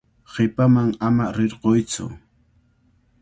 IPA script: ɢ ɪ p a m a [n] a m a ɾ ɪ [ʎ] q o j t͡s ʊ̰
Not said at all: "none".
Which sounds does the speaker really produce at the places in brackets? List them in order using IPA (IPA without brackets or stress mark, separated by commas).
ŋ, ɾ